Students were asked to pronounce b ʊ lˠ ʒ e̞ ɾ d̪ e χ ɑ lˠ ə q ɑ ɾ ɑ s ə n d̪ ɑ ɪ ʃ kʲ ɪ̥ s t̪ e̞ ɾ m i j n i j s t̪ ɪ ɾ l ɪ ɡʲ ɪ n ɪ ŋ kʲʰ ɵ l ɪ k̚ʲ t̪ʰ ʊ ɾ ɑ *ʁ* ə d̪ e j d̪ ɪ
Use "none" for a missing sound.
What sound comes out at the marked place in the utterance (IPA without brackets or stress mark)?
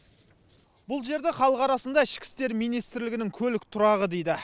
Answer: ʁ